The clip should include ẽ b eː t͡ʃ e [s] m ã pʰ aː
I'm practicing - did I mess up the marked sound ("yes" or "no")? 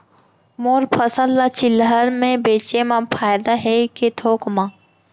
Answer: yes